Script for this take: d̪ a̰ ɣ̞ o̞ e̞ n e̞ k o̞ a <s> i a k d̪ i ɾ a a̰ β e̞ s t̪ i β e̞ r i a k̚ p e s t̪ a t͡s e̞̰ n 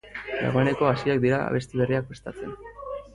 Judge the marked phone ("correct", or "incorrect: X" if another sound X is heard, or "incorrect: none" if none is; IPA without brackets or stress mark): correct